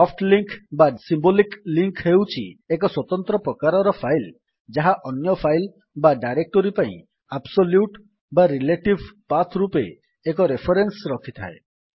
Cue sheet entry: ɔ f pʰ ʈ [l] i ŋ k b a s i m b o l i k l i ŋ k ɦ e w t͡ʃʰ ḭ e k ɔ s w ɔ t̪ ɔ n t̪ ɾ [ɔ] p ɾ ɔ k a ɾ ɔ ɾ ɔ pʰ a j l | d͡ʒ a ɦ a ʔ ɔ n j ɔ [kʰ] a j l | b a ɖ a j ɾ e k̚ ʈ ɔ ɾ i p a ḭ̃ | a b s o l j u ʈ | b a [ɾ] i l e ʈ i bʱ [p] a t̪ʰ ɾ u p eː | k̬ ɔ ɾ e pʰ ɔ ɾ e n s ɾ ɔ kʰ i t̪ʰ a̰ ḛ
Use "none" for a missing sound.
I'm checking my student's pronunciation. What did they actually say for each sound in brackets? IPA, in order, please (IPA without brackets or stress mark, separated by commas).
l, ɔ, pʰ, ɾ, p